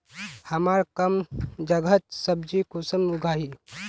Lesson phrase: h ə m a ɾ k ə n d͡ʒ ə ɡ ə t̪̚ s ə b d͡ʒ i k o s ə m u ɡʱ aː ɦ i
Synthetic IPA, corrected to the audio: h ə m a ɾ k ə m d͡ʒ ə ɡ ə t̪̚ s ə b d͡ʒ i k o s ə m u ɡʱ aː ɦ i

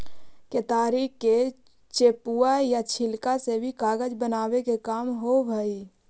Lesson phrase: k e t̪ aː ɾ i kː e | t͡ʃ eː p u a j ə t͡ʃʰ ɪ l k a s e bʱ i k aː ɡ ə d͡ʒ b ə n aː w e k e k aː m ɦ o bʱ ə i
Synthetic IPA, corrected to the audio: k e t̪ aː ɾ i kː e | t͡ʃ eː p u a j a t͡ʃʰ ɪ l k a s e bʱ i k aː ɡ ə d͡ʒ b ə n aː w e k e k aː m ɦ o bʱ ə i

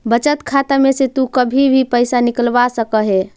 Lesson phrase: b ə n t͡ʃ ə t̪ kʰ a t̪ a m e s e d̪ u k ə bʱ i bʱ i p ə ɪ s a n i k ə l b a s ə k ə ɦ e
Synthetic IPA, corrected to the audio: b ə t͡ʃ ə t̪ kʰ a t̪ a m e s e t̪ u k ə bʱ i bʱ i p ə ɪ s a n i k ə l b a s ə k ə ɦ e

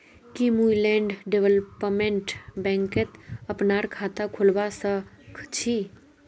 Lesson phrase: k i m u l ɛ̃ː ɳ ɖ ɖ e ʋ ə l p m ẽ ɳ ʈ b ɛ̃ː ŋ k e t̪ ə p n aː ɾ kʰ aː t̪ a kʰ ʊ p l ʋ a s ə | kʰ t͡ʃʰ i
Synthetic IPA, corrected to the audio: k i m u l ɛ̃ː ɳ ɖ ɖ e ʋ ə l p m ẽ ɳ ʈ b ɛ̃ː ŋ k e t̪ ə p n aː ɾ kʰ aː t̪ a kʰ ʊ l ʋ a s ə | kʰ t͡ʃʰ i

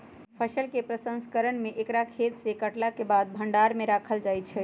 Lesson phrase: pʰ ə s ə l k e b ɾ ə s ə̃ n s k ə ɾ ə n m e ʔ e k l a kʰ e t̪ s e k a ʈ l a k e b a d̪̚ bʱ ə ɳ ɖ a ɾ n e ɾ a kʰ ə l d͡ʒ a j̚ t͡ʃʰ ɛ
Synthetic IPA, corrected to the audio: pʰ ə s ə l k e p ɾ ə s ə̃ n s k ə ɾ ə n m e ʔ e k ɾ a kʰ e t̪ s e k ə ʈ l a k e b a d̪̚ bʱ ə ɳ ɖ a ɾ m e ɾ a kʰ ə l d͡ʒ a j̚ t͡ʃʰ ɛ

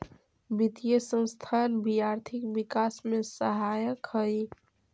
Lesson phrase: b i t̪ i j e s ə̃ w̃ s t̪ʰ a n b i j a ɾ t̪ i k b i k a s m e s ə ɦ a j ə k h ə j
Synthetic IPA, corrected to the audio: b i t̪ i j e s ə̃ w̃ s t̪ʰ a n b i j a ɾ t̪ʰ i k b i k a s m e s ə ɦ a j ə k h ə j

